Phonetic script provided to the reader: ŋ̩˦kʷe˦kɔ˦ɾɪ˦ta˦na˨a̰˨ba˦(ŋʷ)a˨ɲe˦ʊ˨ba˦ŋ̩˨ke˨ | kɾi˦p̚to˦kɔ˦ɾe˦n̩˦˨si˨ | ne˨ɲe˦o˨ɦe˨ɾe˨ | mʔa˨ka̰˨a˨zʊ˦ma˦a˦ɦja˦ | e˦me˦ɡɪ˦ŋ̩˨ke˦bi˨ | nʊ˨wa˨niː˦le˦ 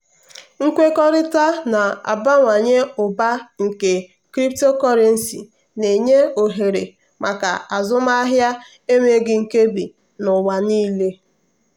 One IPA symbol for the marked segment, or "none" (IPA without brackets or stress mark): ŋʷ